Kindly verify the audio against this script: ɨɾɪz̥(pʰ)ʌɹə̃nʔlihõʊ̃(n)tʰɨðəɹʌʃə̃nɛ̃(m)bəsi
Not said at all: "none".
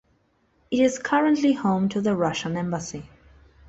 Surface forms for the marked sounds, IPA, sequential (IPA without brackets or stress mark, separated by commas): kʰ, m, m